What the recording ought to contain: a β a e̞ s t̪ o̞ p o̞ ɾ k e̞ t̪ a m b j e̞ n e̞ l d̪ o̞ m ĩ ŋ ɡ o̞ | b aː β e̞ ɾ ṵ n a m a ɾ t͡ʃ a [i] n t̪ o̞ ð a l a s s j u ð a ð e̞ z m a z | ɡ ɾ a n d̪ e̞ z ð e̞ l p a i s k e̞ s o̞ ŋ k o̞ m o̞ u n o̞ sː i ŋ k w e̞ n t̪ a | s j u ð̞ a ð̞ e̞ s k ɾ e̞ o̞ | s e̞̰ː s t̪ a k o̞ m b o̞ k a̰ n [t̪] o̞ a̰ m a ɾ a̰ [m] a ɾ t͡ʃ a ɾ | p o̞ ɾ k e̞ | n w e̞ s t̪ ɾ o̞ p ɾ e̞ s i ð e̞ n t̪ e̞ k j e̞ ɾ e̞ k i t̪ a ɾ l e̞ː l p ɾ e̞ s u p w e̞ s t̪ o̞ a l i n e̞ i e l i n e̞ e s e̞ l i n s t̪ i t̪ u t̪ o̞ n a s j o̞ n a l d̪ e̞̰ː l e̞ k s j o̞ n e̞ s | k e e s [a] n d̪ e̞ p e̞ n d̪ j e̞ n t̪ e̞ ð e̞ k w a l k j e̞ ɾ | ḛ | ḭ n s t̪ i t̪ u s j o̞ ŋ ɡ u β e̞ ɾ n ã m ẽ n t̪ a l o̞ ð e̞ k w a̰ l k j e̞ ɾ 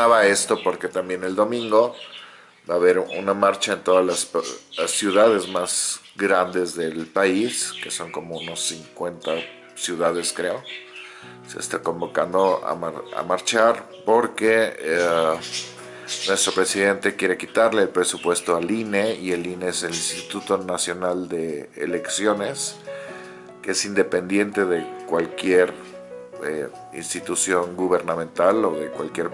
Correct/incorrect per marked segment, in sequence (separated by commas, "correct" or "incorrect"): incorrect, incorrect, correct, incorrect